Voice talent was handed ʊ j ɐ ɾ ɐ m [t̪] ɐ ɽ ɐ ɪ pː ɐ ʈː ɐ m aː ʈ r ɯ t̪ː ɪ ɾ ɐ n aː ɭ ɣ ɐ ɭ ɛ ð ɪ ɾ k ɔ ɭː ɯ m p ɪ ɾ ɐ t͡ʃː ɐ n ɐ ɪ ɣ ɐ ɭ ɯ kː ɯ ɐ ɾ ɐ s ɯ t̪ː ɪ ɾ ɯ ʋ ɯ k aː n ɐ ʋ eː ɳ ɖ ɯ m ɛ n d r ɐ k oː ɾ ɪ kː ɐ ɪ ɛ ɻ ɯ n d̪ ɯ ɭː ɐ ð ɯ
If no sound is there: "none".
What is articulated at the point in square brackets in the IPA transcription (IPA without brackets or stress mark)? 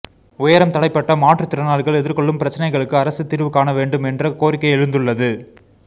t̪